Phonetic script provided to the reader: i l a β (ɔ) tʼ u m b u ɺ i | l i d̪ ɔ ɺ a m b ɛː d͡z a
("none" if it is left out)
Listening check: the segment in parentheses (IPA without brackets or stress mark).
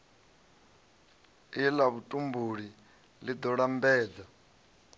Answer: u